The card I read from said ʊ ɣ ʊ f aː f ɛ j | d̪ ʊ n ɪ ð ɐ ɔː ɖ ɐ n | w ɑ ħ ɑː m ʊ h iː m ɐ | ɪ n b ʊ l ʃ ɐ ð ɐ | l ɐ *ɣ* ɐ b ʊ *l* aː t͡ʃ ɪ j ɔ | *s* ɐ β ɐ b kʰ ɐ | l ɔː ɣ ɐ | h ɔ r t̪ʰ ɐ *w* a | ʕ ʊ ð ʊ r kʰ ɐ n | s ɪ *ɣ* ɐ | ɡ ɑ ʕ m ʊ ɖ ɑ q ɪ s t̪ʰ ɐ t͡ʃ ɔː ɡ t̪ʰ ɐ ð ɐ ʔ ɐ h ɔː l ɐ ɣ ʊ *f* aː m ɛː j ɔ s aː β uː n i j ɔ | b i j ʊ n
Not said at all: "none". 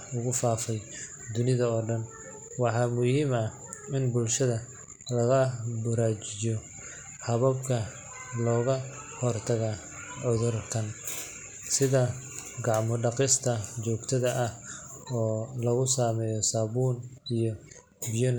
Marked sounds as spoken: ɣ, ɾ, h, ɣ, ð, s

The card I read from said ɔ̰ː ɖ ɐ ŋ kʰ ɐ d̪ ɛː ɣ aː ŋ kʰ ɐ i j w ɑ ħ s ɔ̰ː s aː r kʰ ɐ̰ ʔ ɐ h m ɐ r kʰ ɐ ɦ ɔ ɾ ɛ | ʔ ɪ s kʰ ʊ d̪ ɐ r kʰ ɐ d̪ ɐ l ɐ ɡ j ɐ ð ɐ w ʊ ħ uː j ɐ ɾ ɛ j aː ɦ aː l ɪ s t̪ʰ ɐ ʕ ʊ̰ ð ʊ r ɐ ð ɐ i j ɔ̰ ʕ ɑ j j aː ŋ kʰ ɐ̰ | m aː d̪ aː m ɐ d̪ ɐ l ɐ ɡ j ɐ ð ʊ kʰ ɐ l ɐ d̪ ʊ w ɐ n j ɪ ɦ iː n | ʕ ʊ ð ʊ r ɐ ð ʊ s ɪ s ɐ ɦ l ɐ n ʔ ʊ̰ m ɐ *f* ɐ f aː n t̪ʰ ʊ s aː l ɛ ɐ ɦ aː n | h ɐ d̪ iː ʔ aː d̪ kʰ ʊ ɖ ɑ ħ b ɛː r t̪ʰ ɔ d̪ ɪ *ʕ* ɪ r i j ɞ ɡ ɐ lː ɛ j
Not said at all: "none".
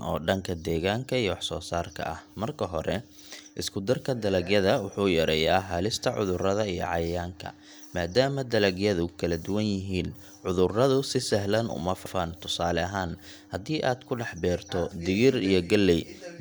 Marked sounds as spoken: f, ɣ

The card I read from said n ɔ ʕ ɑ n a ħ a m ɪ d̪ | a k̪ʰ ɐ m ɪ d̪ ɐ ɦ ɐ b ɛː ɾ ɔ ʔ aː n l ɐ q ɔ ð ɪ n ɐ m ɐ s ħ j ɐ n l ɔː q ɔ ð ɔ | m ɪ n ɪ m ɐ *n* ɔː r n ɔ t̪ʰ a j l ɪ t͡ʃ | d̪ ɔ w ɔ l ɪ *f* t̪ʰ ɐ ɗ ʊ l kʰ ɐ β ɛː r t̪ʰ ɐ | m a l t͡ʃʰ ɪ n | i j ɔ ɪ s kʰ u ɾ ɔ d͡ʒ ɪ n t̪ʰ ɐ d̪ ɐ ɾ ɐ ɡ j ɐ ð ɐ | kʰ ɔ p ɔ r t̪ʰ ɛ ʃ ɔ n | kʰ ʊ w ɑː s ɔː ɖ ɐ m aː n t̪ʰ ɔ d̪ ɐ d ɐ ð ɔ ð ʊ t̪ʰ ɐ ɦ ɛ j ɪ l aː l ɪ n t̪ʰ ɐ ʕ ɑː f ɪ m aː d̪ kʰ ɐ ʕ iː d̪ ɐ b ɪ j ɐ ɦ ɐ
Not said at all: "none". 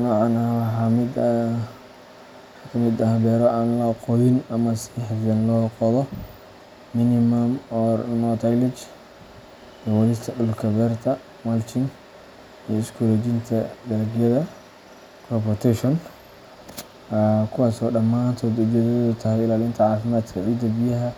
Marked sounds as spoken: m, s

